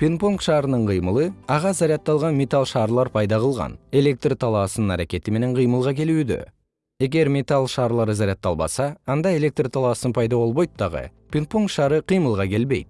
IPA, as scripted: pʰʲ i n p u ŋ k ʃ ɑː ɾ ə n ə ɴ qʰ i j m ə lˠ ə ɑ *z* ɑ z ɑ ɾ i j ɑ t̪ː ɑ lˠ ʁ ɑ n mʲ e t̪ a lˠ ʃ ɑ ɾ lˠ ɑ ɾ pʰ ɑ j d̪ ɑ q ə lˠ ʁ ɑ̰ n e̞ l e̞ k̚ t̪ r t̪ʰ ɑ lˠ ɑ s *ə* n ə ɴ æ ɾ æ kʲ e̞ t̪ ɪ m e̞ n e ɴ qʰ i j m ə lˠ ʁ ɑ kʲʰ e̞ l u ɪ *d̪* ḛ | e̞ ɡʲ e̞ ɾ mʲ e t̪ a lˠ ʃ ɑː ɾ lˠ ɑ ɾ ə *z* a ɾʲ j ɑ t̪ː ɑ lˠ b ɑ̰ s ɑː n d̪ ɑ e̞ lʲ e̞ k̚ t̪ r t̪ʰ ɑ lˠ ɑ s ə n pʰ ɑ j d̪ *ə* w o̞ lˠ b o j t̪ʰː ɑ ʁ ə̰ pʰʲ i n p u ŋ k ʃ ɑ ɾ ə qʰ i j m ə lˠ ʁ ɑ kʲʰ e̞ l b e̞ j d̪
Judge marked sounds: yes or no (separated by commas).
no, yes, yes, yes, no